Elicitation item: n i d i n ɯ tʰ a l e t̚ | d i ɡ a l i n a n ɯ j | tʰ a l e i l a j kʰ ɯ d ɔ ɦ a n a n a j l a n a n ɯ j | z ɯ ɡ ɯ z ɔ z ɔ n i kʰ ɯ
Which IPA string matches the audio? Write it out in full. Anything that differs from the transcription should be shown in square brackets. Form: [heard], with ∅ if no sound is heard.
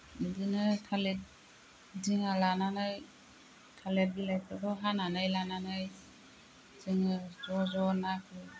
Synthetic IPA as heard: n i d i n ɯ tʰ a l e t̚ | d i [ŋ] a l [a] n a n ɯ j | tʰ a l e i l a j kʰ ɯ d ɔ ɦ a n a n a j l a n a n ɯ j | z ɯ [ŋ] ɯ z ɔ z ɔ n [a] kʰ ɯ